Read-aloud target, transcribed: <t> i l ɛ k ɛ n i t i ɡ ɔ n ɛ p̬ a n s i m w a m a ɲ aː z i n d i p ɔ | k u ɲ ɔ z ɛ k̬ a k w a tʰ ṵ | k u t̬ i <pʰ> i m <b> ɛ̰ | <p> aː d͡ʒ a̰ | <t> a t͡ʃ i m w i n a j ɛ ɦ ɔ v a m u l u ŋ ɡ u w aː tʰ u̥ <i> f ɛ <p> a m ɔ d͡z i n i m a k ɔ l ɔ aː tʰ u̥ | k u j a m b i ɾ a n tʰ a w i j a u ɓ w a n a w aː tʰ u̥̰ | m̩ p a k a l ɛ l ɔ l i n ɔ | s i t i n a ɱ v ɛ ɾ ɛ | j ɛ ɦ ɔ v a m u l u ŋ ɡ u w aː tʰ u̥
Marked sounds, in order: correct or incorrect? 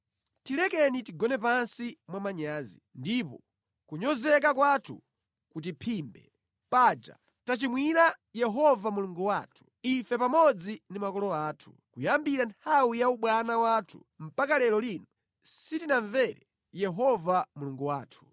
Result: correct, correct, correct, correct, correct, correct, correct

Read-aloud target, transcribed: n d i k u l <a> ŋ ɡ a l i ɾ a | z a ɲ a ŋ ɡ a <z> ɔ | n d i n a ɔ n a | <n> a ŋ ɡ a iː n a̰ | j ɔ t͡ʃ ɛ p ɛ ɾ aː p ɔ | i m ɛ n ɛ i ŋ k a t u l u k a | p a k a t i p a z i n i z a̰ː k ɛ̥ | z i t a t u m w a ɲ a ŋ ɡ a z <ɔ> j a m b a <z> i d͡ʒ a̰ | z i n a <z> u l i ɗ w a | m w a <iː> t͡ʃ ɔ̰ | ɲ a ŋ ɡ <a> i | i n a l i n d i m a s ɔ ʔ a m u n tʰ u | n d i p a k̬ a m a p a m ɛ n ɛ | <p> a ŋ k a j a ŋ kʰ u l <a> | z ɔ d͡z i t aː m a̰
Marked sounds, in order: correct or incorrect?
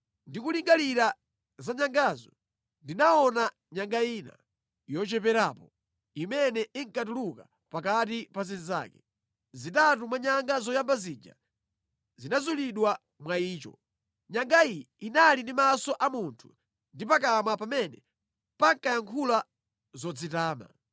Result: incorrect, correct, incorrect, correct, correct, correct, correct, correct, correct, correct

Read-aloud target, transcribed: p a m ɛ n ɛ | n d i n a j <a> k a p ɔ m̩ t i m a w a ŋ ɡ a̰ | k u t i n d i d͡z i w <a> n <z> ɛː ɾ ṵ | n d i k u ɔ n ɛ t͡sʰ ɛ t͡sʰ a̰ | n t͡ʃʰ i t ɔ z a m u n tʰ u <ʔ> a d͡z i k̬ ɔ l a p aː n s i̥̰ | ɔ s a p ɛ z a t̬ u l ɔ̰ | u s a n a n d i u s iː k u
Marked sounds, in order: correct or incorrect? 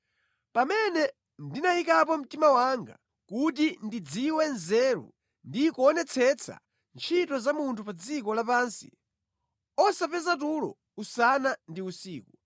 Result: incorrect, incorrect, correct, incorrect

